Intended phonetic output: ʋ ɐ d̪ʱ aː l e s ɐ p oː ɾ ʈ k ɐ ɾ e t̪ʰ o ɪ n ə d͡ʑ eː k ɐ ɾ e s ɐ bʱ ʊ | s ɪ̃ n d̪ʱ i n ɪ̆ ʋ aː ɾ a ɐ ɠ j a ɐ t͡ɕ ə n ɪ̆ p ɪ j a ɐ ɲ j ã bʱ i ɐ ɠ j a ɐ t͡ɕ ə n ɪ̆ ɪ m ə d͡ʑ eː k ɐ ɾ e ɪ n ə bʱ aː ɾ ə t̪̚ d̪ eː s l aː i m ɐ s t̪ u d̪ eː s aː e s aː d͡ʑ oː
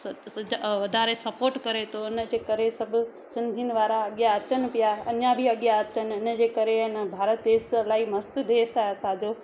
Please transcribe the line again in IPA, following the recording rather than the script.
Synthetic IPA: ʋ ɐ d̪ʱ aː ɾ e s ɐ p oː ɾ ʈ k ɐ ɾ e t̪ʰ o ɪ n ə d͡ʑ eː k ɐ ɾ e s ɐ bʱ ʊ | s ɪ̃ n d̪ʱ i n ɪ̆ ʋ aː ɾ a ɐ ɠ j a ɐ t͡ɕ ə n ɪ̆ p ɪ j a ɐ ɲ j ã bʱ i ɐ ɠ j a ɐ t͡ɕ ə n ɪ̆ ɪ n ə d͡ʑ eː k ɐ ɾ e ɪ n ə bʱ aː ɾ ə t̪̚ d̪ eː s l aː i m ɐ s t̪ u d̪ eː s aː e s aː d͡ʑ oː